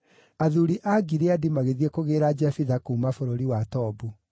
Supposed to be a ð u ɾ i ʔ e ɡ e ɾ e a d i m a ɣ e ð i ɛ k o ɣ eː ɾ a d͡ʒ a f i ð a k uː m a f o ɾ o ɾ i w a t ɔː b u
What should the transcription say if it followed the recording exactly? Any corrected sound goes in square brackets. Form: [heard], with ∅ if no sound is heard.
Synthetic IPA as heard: a ð u ɾ i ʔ [a] ɡ [i] ɾ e a d i m a ɣ e ð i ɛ k o ɣ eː ɾ a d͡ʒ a f i ð a k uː m a f o ɾ o ɾ i w a t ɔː b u